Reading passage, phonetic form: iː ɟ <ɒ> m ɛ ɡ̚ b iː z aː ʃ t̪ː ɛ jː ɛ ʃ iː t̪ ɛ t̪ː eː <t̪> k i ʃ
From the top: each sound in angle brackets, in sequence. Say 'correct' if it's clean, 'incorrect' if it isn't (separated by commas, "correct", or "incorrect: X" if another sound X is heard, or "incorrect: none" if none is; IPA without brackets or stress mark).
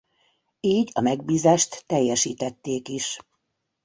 correct, incorrect: none